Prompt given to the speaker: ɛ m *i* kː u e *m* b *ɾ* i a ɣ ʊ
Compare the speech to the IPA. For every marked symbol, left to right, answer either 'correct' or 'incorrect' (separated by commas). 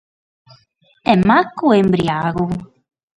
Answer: incorrect, correct, correct